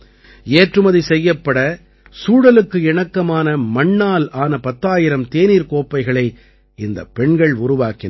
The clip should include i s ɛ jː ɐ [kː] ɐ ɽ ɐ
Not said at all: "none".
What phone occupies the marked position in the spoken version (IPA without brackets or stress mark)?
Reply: pː